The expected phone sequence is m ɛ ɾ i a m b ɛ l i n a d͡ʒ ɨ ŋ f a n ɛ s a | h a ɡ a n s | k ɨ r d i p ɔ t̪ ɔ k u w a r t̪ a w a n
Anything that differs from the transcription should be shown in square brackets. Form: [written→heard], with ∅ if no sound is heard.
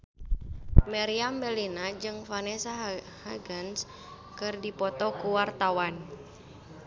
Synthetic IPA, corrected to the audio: m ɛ ɾ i a m b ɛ l i n a d͡ʒ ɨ ŋ f a n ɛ s a | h a ɡ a n s | k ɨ r d i p ɔ t̪ ɔ k u w a r t̪ a w a n